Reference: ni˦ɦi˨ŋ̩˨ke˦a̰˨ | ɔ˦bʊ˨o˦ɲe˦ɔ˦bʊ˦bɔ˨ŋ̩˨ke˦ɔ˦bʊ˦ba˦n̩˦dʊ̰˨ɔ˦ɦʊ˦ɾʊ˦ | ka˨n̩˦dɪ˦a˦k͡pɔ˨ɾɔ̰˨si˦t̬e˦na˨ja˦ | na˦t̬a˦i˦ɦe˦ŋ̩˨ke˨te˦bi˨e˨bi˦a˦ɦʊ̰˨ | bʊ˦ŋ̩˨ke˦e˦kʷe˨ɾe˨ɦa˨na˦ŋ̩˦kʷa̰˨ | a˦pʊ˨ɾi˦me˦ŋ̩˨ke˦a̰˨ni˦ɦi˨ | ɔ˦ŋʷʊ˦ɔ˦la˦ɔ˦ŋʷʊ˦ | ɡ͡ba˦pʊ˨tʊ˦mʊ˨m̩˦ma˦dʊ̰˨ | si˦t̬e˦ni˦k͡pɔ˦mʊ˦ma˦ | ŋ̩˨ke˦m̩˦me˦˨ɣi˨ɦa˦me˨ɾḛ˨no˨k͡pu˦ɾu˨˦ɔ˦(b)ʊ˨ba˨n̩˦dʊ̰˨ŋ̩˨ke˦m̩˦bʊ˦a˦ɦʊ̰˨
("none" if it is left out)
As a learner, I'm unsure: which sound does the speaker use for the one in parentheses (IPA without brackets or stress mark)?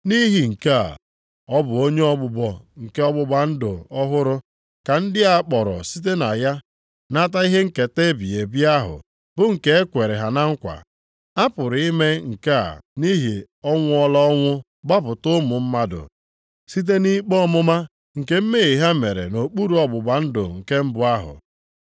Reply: b